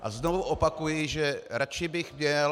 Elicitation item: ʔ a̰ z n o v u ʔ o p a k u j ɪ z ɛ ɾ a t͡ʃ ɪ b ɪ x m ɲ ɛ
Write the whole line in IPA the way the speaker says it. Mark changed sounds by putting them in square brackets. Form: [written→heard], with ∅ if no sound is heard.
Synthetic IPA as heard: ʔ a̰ z n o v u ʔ o p a k u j ɪ [z→ʒ] ɛ ɾ a t͡ʃ ɪ b ɪ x m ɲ ɛ